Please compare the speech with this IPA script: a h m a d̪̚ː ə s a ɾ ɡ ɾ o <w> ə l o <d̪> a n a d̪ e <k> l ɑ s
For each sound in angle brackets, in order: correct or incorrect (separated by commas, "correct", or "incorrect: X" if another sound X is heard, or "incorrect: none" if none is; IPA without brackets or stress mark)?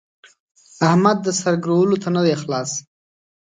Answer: correct, incorrect: t̪, incorrect: x